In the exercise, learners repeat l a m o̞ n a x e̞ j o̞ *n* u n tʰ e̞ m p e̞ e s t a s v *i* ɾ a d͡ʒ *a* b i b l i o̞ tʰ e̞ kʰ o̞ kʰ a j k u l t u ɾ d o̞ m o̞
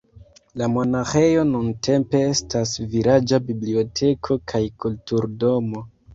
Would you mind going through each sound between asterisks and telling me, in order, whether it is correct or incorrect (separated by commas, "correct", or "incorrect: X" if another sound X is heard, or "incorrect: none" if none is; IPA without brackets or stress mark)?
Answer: correct, correct, correct